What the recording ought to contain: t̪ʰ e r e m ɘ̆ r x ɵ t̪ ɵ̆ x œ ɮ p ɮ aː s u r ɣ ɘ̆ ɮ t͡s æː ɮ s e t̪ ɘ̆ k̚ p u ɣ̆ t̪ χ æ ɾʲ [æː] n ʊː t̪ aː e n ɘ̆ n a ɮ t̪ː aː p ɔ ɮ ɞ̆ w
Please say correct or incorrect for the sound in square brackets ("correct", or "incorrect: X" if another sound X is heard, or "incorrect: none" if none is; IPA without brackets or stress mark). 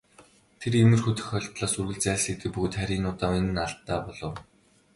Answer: incorrect: iː